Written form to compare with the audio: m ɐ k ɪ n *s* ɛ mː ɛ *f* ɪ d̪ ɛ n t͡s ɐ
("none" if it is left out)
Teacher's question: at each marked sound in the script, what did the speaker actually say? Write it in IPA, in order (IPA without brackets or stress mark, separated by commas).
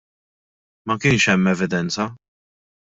ʃ, v